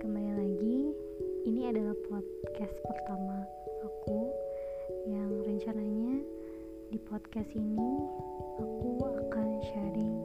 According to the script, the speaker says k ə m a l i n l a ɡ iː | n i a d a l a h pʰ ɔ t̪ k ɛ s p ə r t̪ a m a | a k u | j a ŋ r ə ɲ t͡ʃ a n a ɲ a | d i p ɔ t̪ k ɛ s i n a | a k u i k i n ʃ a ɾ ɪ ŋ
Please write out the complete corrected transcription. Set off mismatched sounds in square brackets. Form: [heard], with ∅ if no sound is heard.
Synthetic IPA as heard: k ə m a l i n l a ɡ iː | n i a d a l a h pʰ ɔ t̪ k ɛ s p ə r t̪ a m a | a k u | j a ŋ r ə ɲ t͡ʃ a n a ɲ a | d i p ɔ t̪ k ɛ s i n [i] | a k u [a] k [a] n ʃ a ɾ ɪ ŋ